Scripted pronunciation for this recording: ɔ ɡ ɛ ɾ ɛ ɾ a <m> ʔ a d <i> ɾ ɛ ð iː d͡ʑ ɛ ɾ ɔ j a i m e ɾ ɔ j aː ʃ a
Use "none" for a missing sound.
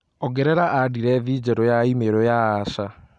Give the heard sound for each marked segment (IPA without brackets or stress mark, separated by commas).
none, i